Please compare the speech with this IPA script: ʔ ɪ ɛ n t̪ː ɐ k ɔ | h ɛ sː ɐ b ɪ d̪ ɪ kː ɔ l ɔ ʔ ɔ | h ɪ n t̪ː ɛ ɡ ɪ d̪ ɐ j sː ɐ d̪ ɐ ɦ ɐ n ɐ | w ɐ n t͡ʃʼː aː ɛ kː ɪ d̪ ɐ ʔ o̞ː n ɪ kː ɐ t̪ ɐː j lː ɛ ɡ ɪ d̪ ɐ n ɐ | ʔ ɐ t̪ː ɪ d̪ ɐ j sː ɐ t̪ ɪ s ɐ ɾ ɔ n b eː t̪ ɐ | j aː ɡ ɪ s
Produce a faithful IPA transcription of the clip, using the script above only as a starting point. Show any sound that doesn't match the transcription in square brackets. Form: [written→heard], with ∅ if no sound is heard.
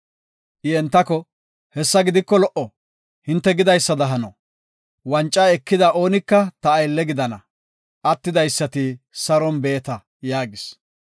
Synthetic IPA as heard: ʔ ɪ ɛ n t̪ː ɐ k ɔ | h ɛ sː ɐ [b→ɡ] ɪ d̪ ɪ kː ɔ l ɔ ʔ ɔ | h ɪ n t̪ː ɛ ɡ ɪ d̪ ɐ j sː ɐ d̪ ɐ ɦ ɐ n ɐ | w ɐ n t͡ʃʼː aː ɛ kː ɪ d̪ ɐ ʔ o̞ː n ɪ kː ɐ t̪ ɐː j lː ɛ ɡ ɪ d̪ ɐ n ɐ | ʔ ɐ t̪ː ɪ d̪ ɐ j sː ɐ t̪ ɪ s ɐ ɾ ɔ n b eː t̪ ɐ | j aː ɡ ɪ s